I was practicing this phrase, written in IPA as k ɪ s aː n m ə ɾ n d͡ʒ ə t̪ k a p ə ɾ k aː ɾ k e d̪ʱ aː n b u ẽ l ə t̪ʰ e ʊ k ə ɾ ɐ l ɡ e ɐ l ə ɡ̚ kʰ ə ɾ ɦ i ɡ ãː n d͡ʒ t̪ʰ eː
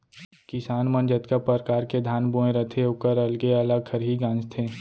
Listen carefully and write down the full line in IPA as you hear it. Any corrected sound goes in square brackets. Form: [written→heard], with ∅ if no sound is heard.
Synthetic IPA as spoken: k ɪ s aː n m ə [ɾ→∅] n d͡ʒ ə t̪ k a p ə ɾ k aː ɾ k e d̪ʱ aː n b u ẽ [l→ɾ] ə t̪ʰ e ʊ k ə ɾ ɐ l ɡ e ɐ l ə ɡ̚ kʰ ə ɾ ɦ i ɡ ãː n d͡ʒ t̪ʰ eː